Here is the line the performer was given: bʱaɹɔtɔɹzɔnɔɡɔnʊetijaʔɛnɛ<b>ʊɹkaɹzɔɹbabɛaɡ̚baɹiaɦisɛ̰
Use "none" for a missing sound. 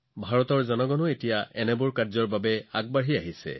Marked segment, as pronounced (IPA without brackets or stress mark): b